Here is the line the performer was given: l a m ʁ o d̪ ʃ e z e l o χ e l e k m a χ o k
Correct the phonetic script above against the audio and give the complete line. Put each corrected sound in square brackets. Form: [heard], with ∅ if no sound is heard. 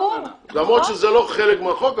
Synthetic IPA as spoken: l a m ʁ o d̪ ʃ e z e l o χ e l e k m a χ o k